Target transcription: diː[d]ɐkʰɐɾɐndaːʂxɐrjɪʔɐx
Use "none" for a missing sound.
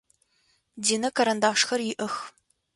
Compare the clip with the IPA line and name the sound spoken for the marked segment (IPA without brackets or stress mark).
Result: n